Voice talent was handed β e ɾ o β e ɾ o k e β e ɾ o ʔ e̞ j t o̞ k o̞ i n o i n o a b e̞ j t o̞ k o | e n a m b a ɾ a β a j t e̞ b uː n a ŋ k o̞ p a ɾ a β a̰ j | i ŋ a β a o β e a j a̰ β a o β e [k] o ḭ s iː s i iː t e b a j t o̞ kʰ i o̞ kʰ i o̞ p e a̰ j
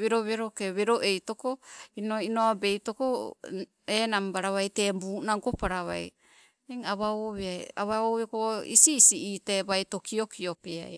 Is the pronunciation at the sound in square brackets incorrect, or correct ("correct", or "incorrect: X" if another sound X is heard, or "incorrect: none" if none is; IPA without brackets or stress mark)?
correct